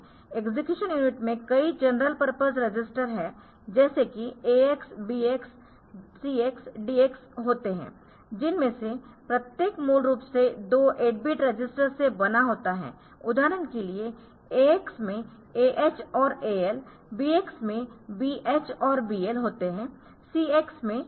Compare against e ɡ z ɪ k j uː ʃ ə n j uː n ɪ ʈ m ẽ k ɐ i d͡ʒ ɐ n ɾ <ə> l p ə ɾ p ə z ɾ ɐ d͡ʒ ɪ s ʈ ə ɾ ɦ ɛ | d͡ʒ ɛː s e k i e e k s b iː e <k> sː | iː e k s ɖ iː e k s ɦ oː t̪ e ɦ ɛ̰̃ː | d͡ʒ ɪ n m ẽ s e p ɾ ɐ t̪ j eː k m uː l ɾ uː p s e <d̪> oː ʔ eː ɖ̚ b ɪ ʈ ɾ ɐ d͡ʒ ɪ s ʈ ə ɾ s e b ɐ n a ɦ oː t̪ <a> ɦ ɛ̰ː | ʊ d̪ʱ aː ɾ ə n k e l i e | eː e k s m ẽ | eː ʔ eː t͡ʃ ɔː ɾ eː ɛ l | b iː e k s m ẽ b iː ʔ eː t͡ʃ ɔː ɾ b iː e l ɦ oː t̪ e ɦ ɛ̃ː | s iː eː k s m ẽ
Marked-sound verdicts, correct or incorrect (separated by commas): correct, correct, correct, correct